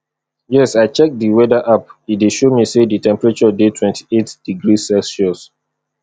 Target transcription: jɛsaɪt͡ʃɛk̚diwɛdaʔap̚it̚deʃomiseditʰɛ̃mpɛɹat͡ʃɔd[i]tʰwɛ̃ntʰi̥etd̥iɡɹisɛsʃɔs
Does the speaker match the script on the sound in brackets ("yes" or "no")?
no